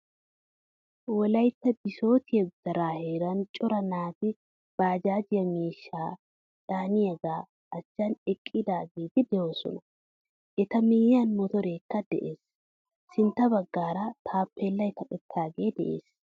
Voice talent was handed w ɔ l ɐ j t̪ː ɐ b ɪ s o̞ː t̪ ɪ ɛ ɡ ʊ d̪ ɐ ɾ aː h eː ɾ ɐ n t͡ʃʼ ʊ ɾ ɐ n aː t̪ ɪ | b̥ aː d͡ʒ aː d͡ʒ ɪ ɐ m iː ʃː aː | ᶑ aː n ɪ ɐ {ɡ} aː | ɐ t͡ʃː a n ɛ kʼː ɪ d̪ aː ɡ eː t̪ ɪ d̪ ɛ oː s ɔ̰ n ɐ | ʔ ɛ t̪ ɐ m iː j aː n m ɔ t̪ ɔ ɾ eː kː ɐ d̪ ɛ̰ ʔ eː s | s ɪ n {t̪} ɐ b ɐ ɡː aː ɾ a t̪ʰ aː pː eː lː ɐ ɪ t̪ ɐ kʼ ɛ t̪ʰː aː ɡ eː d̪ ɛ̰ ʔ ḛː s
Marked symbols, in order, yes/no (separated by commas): yes, yes